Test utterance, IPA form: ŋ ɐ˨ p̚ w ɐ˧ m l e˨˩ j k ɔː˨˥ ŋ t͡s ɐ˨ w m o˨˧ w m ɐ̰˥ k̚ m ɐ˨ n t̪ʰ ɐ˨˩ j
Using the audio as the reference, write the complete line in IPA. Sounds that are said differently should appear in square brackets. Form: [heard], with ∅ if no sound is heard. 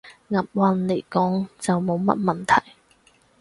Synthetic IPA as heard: ŋ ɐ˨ p̚ w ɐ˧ [n] l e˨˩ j k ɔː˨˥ ŋ t͡s ɐ˨ w m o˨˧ w m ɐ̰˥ [t̚] m ɐ˨ n t̪ʰ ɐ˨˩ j